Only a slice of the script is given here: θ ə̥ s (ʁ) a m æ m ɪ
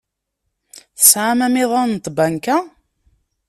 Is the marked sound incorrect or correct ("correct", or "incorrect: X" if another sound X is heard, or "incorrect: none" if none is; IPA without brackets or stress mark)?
incorrect: ʕ